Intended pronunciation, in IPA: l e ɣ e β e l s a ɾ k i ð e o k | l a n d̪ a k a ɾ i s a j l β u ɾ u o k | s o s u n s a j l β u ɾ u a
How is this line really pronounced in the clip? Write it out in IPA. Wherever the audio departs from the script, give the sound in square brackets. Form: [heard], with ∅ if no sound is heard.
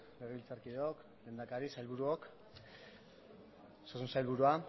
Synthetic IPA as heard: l e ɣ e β [i] l [t͡s] a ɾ k i ð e o k | l [e] n d̪ a k a ɾ i s a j l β u ɾ u o k | s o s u n s a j l β u ɾ u a